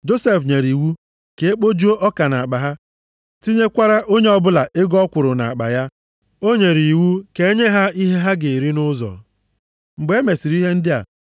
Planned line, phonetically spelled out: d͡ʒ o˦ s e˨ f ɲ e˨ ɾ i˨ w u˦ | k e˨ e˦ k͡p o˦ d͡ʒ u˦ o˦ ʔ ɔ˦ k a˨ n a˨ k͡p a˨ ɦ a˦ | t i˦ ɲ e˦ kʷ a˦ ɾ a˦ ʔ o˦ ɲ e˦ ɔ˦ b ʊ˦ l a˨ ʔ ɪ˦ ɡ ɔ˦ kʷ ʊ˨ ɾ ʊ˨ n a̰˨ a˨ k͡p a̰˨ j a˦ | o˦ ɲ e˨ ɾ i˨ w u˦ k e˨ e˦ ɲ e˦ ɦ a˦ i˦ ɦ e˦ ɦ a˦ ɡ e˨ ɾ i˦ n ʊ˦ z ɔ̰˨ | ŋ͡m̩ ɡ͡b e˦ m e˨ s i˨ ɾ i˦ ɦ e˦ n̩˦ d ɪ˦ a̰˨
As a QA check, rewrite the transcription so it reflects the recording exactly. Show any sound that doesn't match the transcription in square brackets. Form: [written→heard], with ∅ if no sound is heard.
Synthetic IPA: d͡ʒ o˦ s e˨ f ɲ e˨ ɾ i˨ w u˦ | k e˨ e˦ k͡p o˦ d͡ʒ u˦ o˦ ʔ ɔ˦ k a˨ n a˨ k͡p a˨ ɦ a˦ | t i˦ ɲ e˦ kʷ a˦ ɾ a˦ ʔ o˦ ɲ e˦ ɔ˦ b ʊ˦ l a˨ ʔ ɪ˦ ɡ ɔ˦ kʷ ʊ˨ ɾ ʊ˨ n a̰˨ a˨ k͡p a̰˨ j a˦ | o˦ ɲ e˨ ɾ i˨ w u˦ k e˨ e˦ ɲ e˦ ɦ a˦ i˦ ɦ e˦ ɦ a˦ ɡ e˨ ɾ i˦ n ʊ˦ z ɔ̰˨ | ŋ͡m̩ ɡ͡b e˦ m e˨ s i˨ ɾ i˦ ɦ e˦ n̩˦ d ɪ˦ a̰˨